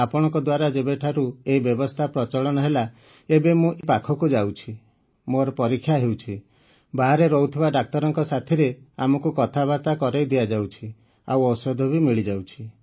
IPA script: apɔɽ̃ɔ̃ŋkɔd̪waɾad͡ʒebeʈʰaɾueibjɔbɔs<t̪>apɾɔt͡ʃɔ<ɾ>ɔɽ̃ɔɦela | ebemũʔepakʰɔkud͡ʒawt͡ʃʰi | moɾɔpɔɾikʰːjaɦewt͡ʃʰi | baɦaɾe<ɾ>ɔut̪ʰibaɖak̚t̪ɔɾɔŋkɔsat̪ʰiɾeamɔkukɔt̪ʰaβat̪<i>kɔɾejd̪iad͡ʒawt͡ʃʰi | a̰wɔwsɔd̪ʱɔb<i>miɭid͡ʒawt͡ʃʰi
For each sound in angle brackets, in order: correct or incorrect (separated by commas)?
incorrect, incorrect, correct, incorrect, correct